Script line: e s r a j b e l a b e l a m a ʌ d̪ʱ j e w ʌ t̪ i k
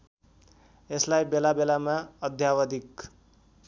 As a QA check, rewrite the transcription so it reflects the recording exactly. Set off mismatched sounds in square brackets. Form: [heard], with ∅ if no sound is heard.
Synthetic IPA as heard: e s [l] a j b e l a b e l a m a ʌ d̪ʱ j [a] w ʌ [d̪] i k